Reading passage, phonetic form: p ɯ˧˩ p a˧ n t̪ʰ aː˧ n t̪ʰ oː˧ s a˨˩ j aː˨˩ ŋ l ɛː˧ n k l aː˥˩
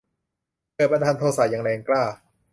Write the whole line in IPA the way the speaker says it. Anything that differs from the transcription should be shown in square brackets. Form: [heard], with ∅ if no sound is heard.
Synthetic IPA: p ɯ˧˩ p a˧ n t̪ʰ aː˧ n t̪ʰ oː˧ s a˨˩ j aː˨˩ ŋ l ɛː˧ [ŋ] k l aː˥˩